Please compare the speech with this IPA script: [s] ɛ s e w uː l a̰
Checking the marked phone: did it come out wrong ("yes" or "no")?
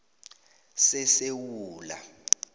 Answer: no